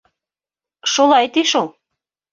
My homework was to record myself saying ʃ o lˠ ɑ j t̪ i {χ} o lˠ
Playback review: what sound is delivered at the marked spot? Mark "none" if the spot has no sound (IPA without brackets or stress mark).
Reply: ʃ